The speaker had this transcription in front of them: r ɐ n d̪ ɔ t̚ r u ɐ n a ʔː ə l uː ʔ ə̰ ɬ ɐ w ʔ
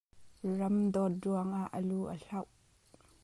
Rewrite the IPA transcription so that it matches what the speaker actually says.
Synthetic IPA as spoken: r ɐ m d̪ ɔ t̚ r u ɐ ŋ a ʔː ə l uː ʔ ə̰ ɬ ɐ w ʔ